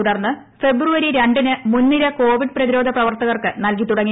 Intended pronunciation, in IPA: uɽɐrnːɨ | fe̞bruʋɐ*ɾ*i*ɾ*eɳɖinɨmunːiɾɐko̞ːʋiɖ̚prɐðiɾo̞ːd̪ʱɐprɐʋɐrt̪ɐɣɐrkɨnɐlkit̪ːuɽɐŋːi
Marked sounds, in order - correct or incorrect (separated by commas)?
correct, correct